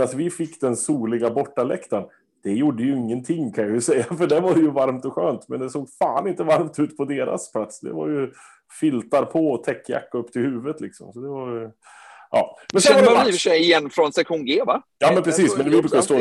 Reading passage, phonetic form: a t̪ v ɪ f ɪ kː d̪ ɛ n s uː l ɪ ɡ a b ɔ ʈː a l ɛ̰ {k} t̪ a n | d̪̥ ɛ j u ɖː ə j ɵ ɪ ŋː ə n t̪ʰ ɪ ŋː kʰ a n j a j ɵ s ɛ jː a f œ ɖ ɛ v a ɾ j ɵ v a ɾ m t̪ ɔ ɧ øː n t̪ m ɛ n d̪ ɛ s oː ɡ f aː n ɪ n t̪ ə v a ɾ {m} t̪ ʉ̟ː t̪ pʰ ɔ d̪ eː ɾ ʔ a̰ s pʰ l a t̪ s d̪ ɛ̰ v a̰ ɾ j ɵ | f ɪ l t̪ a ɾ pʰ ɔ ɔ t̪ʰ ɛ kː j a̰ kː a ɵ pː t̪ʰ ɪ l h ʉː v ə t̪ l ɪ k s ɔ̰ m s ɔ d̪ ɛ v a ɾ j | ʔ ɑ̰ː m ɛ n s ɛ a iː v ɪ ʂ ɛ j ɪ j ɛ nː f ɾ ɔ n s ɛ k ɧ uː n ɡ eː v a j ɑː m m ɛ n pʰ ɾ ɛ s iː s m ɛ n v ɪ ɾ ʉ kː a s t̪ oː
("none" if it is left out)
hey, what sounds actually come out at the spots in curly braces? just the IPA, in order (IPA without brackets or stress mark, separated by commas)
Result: k, m